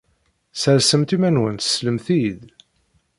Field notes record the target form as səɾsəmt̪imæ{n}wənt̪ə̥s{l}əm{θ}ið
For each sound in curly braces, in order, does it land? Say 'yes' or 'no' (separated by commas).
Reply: yes, yes, yes